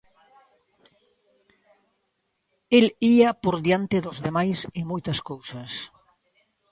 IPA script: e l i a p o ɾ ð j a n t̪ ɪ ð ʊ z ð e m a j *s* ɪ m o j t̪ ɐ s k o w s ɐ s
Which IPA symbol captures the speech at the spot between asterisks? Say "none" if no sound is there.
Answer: s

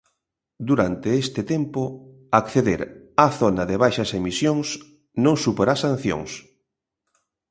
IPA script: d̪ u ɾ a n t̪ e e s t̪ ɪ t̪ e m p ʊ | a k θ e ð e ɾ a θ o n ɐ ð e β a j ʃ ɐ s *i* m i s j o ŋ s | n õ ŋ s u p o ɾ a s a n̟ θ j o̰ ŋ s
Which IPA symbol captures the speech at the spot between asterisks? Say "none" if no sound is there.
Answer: e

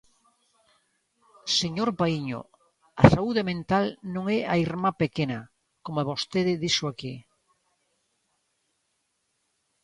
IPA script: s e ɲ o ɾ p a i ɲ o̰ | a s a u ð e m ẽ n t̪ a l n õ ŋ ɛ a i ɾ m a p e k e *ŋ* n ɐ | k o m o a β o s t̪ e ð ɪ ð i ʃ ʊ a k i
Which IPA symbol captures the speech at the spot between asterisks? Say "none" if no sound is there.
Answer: none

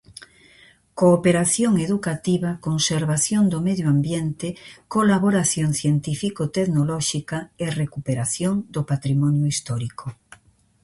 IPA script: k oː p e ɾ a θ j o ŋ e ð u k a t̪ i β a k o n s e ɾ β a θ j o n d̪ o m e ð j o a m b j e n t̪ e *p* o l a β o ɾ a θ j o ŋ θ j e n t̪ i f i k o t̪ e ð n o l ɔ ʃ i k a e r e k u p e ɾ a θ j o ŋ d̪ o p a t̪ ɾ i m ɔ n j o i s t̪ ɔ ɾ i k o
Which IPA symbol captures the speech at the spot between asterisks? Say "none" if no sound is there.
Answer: k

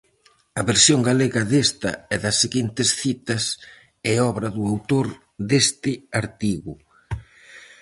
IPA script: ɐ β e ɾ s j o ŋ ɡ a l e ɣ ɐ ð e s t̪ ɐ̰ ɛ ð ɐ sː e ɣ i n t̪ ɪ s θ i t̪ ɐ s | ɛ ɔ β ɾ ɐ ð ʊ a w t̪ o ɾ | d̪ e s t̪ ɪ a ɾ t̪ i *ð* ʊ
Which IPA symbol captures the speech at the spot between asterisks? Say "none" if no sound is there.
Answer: ɣ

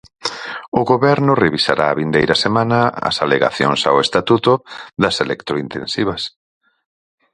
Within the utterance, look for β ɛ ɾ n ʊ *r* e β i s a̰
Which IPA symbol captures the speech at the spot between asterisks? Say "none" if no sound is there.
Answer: r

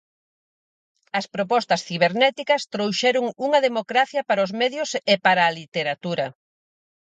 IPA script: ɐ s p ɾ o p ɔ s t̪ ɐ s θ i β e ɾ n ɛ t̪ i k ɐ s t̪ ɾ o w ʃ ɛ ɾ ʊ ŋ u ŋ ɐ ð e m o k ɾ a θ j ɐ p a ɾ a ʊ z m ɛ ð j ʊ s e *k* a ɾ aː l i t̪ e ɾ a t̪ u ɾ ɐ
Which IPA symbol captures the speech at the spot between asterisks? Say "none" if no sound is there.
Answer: p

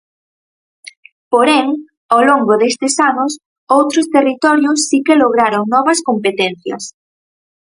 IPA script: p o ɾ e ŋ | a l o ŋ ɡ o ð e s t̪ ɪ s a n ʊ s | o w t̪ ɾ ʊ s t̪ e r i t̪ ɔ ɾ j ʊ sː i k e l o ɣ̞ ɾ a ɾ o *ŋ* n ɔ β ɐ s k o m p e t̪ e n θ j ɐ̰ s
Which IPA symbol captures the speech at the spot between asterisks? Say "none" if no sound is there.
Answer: ŋ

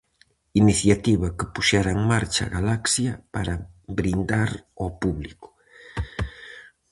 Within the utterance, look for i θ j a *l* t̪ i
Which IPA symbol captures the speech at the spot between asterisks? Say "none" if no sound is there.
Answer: none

